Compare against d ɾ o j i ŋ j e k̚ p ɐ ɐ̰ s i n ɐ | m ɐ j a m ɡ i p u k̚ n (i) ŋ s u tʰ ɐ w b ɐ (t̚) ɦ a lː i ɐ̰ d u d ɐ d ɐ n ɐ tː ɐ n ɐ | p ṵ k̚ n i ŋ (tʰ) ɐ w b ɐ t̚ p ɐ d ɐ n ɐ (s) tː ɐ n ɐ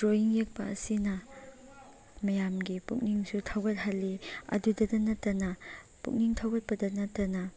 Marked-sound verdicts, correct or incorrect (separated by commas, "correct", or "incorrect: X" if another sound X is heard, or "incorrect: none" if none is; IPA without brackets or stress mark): correct, correct, correct, incorrect: none